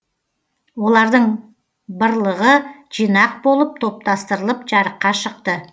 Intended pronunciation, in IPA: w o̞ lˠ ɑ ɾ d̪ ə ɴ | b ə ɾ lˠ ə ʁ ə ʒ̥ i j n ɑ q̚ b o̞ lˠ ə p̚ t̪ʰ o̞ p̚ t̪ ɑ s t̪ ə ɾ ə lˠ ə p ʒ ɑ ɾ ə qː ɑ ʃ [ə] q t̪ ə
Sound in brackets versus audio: correct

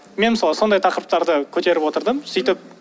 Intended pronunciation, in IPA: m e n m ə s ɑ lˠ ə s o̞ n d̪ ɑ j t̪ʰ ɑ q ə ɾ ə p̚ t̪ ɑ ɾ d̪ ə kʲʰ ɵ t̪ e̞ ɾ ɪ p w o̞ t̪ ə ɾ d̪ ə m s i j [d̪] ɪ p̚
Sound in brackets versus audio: incorrect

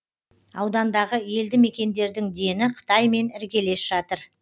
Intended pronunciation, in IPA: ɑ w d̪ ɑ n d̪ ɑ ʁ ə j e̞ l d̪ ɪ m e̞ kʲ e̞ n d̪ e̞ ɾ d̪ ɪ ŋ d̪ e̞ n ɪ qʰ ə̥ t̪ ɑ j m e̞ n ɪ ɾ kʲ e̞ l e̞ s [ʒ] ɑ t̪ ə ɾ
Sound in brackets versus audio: correct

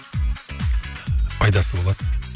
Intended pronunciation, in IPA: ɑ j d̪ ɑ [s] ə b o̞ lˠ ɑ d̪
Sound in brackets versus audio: correct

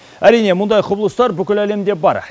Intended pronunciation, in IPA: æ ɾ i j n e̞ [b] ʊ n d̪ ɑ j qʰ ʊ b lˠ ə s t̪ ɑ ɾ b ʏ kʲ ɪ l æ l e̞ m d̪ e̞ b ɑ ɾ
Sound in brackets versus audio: incorrect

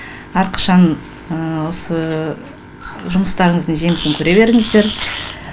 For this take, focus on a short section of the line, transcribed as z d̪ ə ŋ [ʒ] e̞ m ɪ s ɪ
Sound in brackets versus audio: correct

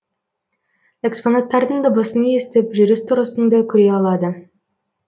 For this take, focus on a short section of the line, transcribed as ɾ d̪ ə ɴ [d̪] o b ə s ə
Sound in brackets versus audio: correct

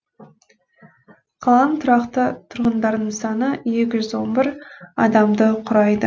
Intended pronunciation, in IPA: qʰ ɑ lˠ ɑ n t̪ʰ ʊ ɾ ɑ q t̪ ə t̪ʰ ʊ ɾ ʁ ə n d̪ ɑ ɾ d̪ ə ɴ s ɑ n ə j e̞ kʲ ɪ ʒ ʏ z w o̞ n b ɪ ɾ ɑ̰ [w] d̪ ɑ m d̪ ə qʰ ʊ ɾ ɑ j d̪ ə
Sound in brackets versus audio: incorrect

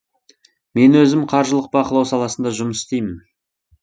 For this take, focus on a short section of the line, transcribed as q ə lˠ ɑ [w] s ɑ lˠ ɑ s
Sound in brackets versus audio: correct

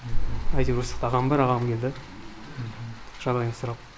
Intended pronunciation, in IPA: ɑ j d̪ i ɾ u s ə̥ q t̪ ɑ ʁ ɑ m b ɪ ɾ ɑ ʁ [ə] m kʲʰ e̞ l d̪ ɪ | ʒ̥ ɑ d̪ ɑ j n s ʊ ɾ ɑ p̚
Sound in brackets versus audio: incorrect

